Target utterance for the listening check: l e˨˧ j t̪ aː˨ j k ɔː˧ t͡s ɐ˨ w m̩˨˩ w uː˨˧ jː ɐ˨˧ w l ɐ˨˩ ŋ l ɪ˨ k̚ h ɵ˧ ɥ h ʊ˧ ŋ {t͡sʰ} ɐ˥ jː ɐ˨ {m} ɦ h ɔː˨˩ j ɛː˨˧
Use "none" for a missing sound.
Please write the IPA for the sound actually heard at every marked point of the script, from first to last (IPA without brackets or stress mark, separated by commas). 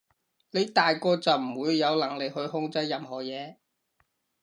t͡s, m